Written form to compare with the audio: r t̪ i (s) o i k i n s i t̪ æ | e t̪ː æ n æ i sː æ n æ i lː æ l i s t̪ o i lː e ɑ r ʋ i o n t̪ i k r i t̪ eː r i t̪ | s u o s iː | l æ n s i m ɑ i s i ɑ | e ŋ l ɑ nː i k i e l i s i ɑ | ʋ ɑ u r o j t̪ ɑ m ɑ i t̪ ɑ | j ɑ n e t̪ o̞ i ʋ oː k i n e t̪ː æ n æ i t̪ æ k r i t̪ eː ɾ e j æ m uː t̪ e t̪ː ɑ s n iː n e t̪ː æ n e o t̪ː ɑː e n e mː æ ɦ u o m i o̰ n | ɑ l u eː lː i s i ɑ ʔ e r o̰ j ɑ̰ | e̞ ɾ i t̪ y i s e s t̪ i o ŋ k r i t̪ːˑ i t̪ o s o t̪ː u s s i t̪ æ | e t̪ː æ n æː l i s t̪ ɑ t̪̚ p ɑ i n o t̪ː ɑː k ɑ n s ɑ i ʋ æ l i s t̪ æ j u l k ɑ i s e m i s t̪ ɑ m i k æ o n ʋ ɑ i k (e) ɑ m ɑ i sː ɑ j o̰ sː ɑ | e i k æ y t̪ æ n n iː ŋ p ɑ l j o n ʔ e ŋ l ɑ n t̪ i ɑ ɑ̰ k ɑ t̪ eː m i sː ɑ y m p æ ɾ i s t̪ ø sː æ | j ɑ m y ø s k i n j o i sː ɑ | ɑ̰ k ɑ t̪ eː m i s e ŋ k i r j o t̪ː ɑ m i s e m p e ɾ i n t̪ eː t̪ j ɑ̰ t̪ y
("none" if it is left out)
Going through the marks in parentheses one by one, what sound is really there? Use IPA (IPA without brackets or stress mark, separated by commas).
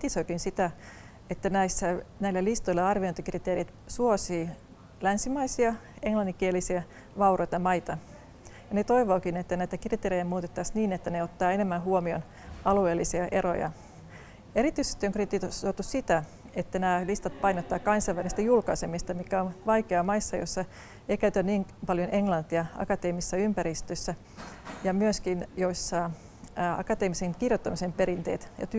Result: s, e